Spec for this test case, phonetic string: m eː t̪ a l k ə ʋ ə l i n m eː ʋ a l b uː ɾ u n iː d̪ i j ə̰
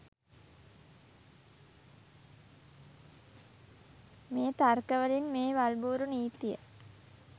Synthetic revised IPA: m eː t̪ a r k ə ʋ ə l i n m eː ʋ a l b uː ɾ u n iː t̪ i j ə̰

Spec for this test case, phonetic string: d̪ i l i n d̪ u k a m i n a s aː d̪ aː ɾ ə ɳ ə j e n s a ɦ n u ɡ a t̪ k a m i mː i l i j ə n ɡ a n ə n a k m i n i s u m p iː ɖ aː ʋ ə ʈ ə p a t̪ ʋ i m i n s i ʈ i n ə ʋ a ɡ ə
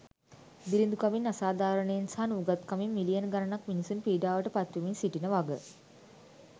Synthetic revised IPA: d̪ i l i n d̪ u k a m i n a s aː d̪ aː ɾ ə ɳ ə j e n s a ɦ n u ɡ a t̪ k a m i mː i l i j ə n ɡ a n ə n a k m i n i s u n p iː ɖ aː ʋ ə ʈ ə p a t̪ ʋ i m i n s i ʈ i n ə ʋ a ɡ ə

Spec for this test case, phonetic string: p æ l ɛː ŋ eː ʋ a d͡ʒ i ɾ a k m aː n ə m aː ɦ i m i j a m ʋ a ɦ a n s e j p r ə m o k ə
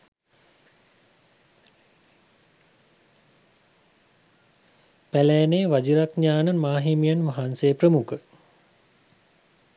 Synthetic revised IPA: p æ l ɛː n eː ʋ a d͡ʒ i ɾ a k ɲ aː n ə m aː ɦ i m i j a n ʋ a ɦ a n s e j p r ə m u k ə

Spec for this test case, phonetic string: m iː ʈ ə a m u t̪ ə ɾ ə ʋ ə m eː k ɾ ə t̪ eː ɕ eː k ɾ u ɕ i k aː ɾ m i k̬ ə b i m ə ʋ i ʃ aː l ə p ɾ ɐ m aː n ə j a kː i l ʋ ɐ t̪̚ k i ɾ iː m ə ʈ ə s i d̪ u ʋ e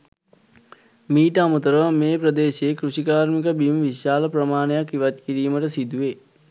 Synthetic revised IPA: m iː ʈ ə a m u t̪ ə ɾ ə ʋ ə m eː p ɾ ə d̪ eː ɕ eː k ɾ u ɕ i k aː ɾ m i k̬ ə b i m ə ʋ i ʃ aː l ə p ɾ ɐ m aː n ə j a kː i ʋ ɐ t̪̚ k i ɾ iː m ə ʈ ə s i d̪ u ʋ e

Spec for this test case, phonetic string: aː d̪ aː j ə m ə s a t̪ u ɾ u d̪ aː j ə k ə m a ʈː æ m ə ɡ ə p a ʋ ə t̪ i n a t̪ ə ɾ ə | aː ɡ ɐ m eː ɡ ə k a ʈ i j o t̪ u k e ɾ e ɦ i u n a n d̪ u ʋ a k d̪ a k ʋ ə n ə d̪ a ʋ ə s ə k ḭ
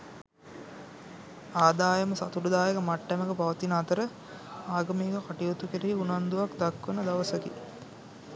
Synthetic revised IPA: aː d̪ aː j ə m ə s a t̪ u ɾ u d̪ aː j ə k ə m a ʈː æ m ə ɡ ə p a ʋ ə t̪ i n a t̪ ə ɾ ə | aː ɡ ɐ m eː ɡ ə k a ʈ i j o t̪ u k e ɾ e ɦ i u n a n d̪ u ʋ a k d̪ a k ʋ ə n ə d̪ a ʋ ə s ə k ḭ

